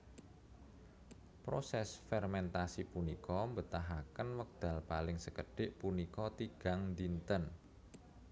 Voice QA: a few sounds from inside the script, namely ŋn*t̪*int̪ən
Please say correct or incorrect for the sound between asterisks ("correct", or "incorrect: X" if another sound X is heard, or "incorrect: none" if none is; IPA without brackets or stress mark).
incorrect: d̪